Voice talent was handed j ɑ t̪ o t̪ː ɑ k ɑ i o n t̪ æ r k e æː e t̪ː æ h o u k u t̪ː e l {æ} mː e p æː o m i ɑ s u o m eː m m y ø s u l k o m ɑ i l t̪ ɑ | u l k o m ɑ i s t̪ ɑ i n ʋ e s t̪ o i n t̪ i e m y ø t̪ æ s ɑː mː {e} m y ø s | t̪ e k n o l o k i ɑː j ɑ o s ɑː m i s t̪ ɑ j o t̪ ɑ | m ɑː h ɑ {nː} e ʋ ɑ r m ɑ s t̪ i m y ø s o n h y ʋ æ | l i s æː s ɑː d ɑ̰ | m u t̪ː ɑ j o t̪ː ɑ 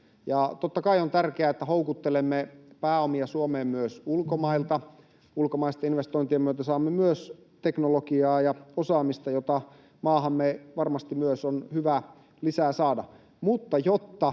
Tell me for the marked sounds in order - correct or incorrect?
incorrect: e, correct, incorrect: mː

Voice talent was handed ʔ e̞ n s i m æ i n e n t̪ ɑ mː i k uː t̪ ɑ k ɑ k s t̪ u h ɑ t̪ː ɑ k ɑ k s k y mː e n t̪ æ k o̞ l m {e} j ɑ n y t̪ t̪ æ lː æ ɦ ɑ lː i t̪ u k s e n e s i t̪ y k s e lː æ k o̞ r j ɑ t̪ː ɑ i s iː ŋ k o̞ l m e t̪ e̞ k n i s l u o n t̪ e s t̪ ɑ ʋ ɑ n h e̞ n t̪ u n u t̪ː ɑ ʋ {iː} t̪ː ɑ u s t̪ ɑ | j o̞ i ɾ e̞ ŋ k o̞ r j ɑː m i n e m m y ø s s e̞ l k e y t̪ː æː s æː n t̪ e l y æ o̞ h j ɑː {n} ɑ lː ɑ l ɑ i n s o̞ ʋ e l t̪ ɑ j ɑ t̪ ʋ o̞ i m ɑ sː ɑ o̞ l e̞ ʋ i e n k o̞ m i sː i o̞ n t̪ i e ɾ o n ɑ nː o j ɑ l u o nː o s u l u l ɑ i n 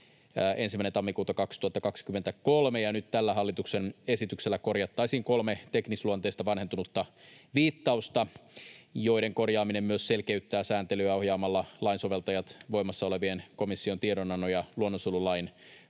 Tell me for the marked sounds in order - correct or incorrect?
correct, correct, incorrect: m

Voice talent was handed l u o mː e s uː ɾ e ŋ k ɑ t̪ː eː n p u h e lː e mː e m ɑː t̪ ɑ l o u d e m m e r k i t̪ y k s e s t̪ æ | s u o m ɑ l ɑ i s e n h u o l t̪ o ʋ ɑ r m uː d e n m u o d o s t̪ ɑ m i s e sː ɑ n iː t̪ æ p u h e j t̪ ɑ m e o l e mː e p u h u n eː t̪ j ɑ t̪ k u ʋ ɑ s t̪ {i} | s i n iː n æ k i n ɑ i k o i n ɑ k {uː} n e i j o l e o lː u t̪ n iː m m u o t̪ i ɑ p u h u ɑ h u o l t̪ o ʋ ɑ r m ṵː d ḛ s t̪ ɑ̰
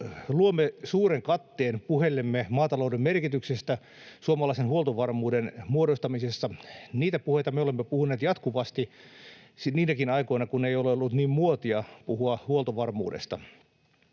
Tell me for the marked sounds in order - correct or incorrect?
correct, incorrect: u

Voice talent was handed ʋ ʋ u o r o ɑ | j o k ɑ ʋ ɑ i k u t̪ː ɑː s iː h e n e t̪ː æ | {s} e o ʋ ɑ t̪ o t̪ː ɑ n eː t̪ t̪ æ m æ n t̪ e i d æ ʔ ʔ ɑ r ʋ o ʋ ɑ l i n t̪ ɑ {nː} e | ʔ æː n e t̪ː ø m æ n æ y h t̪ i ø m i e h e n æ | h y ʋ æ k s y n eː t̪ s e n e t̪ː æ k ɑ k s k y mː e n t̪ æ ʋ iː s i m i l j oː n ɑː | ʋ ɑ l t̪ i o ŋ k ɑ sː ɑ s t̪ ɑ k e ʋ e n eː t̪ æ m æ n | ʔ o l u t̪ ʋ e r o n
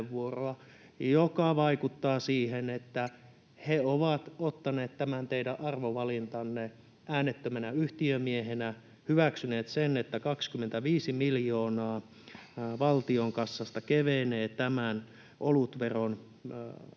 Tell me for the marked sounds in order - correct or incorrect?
incorrect: h, correct

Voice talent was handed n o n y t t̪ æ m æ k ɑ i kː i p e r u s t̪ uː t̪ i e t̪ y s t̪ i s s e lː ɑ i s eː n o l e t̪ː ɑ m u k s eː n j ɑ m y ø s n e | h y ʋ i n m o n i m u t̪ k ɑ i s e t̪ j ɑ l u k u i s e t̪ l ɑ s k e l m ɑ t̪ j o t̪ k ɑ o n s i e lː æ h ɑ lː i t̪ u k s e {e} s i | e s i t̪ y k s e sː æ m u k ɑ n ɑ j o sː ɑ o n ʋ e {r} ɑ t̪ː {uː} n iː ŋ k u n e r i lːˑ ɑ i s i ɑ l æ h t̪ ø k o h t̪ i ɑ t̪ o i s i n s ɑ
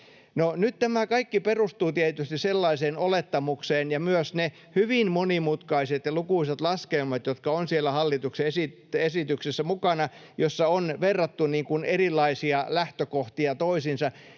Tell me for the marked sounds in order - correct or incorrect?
correct, incorrect: rː, incorrect: u

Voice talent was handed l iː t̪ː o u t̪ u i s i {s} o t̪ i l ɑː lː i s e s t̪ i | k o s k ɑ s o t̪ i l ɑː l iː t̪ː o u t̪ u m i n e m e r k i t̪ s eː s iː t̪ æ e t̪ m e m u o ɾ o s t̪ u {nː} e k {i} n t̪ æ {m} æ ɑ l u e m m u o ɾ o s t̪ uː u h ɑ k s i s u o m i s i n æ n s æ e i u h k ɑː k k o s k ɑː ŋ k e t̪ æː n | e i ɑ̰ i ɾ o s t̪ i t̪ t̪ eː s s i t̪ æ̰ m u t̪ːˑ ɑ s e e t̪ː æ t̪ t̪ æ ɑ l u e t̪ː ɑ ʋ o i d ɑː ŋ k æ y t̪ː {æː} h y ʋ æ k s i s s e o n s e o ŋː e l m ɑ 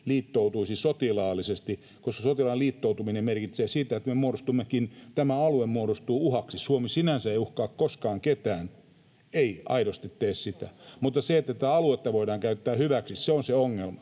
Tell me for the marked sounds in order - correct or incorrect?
correct, incorrect: mː, correct, correct, correct

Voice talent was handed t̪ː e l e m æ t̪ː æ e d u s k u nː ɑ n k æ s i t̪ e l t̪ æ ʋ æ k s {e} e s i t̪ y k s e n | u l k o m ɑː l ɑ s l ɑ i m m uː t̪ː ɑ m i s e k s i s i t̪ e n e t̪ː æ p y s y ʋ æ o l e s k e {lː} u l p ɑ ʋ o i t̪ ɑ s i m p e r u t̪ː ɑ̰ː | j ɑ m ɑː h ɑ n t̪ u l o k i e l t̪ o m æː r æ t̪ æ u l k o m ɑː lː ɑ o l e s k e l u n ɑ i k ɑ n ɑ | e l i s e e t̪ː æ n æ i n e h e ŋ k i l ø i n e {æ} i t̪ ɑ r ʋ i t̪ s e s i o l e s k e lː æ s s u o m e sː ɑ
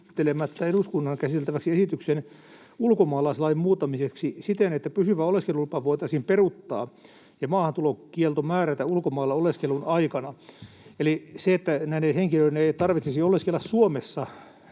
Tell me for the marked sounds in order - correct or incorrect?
incorrect: i, incorrect: l, incorrect: e

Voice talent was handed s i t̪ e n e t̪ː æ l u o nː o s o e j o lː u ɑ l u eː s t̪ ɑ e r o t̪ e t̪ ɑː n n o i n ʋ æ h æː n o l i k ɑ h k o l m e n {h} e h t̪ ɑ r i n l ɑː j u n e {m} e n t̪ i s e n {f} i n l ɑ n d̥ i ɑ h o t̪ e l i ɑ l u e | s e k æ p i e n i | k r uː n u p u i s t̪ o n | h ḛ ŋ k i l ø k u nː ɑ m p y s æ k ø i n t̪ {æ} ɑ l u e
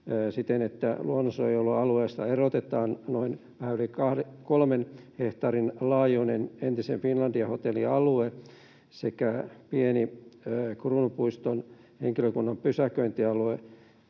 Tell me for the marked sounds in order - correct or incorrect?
correct, incorrect: n, correct, incorrect: i

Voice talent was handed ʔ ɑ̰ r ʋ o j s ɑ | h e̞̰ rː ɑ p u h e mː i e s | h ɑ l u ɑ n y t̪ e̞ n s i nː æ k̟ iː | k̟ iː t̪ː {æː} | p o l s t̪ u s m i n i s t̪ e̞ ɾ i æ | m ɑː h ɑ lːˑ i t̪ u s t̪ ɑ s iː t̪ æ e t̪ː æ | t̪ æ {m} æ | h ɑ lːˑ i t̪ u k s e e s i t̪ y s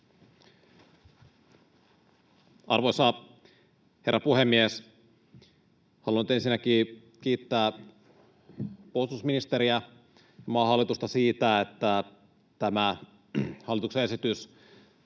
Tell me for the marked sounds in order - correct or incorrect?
correct, correct

